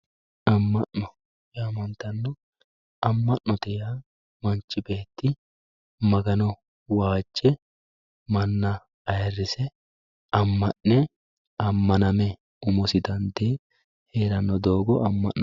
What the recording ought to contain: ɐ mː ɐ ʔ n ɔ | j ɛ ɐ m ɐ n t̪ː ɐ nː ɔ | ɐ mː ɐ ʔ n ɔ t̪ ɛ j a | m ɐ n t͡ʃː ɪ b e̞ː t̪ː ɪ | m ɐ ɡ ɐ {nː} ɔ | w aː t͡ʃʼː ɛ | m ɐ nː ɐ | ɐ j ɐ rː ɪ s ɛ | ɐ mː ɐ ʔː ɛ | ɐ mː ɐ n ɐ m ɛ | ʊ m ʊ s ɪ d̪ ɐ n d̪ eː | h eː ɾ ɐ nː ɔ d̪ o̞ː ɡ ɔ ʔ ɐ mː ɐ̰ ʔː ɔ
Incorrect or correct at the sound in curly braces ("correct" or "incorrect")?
incorrect